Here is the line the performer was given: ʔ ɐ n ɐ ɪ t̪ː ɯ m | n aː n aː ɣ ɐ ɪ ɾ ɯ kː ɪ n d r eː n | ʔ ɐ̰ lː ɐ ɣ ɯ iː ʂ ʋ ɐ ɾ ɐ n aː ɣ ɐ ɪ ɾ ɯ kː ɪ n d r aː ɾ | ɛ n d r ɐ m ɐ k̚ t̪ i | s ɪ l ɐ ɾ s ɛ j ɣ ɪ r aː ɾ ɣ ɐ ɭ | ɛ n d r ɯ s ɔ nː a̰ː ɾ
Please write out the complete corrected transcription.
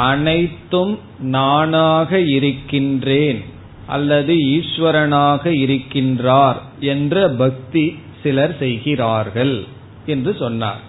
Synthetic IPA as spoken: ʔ ɐ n ɐ ɪ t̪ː ɯ m | n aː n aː ɣ ɐ ɪ ɾ ɯ kː ɪ n d r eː n | ʔ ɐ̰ lː ɐ ð ɯ iː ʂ ʋ ɐ ɾ ɐ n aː ɣ ɐ ɪ ɾ ɯ kː ɪ n d r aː ɾ | ɛ n d r ɐ b ɐ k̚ t̪ i | s ɪ l ɐ ɾ s ɛ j ɣ ɪ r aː ɾ ɣ ɐ ɭ | ɛ n d r ɯ s ɔ nː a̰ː ɾ